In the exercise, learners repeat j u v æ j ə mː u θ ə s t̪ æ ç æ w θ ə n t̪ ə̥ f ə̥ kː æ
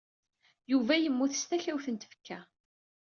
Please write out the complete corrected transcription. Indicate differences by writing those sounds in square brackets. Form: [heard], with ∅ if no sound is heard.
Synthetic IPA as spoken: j u v æ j ə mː u θ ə s t̪ æ ç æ w θ ə n t̪ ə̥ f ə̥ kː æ